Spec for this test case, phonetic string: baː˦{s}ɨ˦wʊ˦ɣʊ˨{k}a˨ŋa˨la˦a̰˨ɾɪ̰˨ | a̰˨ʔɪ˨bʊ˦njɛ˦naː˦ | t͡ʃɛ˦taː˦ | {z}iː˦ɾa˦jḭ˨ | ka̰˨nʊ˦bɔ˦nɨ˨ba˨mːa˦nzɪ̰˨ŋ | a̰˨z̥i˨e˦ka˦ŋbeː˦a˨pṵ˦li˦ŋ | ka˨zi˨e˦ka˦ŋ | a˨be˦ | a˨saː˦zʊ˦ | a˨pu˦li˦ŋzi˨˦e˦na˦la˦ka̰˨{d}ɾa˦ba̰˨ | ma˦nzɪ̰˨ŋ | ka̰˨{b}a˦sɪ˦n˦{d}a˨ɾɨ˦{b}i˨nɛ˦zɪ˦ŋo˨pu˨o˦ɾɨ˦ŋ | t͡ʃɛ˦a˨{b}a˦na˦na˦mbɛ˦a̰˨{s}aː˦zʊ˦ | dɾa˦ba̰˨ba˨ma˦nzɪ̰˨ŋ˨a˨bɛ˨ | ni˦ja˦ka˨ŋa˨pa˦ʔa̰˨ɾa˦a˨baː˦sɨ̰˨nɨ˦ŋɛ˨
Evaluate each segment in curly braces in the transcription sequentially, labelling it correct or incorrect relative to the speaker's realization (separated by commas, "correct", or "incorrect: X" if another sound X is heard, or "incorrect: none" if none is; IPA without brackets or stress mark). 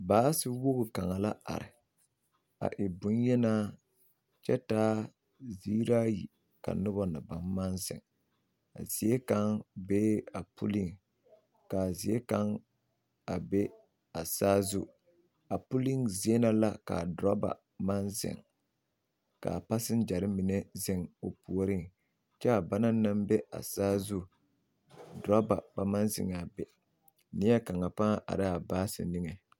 correct, correct, correct, correct, incorrect: p, incorrect: d͡ʒ, incorrect: m, correct, correct